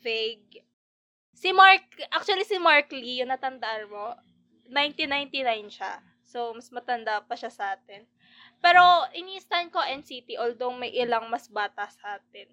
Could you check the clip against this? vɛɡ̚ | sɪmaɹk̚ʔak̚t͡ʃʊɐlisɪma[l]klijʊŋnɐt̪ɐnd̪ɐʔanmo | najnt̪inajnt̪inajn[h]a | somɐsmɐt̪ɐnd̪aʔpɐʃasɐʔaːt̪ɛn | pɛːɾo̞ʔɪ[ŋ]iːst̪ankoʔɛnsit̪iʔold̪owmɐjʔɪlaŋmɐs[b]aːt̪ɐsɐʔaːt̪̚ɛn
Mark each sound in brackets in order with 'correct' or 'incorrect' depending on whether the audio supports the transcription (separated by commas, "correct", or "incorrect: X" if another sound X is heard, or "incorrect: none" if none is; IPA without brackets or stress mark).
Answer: incorrect: ɹ, incorrect: ʃ, incorrect: n, correct